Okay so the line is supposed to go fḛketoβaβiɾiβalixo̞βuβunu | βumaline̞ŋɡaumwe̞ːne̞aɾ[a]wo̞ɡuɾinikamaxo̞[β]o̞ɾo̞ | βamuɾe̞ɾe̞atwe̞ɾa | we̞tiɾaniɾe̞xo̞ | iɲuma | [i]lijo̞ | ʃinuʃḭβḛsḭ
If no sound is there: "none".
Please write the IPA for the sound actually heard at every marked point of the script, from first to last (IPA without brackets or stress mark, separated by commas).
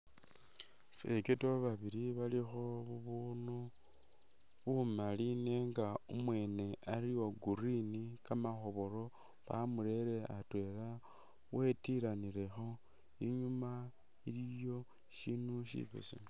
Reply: i, β, i